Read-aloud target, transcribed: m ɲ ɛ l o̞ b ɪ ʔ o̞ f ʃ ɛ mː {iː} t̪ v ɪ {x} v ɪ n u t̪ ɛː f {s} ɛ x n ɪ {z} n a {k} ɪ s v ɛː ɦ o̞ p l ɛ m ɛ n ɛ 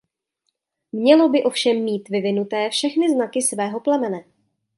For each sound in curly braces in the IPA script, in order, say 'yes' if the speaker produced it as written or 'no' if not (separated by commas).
yes, no, no, yes, yes